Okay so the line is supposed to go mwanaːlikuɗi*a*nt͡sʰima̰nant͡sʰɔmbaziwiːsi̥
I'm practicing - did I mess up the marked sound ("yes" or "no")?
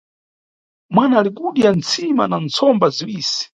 no